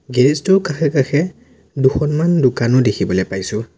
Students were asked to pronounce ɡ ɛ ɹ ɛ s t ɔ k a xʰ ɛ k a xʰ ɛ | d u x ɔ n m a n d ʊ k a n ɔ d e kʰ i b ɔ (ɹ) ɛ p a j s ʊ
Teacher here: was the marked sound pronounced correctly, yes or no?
no